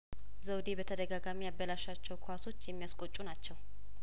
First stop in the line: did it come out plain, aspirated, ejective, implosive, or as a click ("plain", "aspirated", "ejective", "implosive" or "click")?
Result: plain